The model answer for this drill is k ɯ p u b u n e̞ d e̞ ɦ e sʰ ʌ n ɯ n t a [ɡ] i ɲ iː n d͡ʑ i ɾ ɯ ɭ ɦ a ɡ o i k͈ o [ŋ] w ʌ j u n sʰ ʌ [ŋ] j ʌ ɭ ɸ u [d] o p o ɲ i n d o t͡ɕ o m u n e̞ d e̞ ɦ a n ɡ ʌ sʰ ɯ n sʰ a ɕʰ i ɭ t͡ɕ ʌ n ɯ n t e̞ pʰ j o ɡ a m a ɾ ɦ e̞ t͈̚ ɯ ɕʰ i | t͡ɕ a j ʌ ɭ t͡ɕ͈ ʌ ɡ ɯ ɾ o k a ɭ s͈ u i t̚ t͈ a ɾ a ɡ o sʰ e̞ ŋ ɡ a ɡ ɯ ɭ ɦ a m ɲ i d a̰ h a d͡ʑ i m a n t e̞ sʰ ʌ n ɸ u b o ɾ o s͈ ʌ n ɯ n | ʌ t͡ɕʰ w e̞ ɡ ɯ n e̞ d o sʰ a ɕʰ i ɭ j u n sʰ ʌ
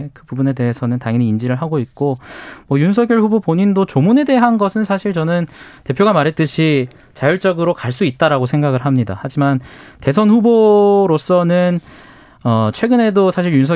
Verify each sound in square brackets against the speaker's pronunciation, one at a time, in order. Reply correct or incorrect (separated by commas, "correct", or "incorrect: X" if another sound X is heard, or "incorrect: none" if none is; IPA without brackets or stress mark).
incorrect: ŋ, incorrect: m, incorrect: ɡ, incorrect: b